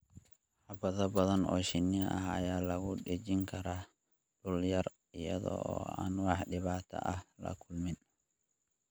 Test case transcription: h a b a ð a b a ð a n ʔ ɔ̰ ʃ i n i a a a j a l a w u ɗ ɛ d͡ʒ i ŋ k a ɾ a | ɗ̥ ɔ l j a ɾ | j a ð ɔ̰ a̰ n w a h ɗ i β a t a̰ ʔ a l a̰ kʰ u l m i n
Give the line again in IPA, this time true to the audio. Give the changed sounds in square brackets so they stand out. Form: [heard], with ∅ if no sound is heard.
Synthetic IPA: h a b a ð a b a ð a n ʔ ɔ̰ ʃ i n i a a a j a l a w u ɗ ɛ d͡ʒ i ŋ k a ɾ a | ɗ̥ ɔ l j a ɾ | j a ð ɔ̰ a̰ n w a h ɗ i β a t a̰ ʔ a l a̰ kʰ u l m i n